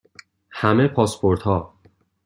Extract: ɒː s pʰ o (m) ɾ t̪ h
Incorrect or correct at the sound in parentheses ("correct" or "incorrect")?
incorrect